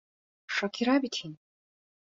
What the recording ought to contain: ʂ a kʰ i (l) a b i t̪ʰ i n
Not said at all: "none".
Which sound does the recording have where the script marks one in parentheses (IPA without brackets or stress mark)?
ɾ